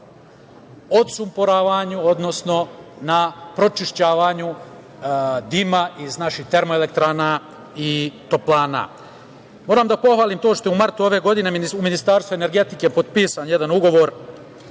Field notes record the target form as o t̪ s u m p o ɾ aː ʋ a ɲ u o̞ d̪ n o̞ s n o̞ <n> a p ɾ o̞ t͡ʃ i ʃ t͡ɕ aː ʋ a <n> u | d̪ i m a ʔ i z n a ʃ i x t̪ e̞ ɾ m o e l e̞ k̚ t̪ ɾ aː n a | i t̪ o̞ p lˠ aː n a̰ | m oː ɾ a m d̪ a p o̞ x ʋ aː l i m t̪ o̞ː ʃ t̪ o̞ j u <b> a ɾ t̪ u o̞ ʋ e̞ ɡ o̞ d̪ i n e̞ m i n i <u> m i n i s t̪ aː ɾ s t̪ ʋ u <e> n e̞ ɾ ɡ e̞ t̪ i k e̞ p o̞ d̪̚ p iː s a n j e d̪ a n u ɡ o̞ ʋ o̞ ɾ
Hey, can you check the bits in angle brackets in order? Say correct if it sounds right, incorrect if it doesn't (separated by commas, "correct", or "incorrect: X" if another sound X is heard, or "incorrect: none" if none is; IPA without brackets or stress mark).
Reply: correct, incorrect: ɲ, incorrect: m, correct, correct